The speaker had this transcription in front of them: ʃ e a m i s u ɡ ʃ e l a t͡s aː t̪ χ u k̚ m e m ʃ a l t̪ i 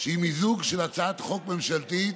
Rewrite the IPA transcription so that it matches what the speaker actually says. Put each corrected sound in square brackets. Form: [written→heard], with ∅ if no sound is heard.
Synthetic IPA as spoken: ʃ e [a→i] m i [s→z] u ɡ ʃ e l a t͡s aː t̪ χ [u→o] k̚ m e m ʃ a l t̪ i